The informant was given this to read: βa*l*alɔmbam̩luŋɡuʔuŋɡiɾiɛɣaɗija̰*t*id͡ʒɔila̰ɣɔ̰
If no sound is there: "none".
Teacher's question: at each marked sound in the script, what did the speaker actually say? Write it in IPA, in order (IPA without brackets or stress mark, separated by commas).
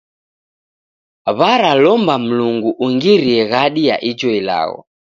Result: ɾ, ʔ